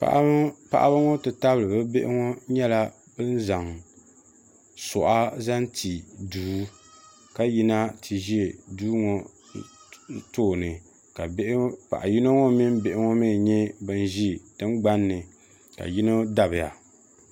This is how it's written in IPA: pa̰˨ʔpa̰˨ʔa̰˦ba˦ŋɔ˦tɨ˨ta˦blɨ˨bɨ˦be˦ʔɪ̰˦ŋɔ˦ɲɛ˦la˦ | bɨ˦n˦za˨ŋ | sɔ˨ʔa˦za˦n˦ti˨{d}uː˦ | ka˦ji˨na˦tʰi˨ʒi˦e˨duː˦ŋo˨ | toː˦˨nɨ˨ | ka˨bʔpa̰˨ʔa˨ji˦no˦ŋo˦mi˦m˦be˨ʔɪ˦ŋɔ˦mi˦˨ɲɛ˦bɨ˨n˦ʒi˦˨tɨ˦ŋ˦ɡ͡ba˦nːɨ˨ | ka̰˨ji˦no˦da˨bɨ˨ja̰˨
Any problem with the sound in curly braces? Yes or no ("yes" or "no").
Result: no